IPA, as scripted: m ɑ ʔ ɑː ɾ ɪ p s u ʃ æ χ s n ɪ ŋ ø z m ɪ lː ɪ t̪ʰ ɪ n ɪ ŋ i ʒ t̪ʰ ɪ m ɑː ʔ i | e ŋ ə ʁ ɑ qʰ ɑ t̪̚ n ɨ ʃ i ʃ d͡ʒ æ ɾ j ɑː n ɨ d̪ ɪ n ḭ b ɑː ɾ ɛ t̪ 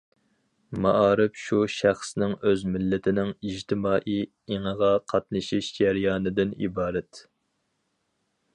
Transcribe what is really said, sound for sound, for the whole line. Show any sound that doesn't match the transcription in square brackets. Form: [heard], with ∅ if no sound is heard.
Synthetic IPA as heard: m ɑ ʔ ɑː ɾ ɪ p [ʃ] u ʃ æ χ s n ɪ ŋ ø z m ɪ lː ɪ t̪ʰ ɪ n ɪ ŋ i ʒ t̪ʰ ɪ m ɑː ʔ i | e ŋ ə ʁ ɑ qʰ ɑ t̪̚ n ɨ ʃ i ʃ d͡ʒ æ ɾ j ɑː n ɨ d̪ ɪ n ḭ b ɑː ɾ ɛ t̪